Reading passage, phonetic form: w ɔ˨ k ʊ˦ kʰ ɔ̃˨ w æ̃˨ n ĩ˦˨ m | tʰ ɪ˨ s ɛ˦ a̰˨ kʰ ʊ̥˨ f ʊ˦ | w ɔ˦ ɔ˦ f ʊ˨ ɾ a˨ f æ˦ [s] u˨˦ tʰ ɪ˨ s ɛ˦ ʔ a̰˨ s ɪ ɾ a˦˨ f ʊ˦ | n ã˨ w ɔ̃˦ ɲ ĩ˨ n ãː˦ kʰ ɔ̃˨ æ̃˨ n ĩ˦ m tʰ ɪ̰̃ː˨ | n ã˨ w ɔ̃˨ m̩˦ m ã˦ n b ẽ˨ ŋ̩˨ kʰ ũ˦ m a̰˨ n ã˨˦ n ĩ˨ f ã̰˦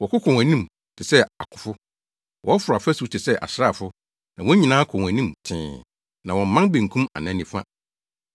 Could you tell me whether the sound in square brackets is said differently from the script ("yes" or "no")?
no